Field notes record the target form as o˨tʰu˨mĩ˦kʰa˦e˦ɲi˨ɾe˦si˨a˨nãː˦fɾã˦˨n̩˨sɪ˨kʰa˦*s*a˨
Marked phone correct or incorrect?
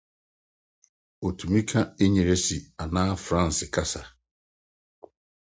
correct